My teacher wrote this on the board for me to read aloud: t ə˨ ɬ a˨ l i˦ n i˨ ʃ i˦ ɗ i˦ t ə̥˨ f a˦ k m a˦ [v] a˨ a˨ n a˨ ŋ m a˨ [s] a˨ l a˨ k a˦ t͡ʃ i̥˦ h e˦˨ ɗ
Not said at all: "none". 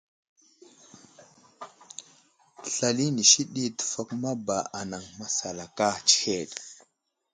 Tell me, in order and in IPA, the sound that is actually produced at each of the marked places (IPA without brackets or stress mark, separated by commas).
b, s